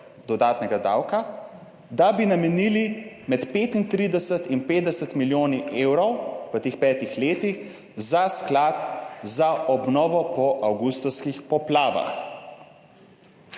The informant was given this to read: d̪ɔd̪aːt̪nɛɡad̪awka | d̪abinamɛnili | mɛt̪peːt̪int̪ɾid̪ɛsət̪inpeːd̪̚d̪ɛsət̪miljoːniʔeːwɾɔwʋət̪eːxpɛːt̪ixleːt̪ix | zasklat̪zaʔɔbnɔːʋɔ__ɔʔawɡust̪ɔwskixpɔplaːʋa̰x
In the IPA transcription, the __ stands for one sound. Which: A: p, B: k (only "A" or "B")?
A